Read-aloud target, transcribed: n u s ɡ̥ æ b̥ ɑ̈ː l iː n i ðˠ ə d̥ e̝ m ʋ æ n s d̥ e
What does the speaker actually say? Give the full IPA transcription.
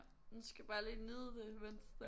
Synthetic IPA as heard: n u s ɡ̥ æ b̥ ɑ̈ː l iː n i ðˠ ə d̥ e̝ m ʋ e n s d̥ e